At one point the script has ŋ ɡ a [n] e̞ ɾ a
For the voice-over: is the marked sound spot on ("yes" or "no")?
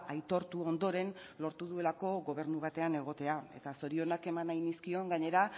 no